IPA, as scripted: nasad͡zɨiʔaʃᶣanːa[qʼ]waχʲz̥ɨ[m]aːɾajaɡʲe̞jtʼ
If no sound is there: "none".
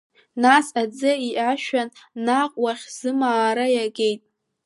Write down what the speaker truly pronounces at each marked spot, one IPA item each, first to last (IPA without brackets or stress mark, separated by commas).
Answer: qʼ, m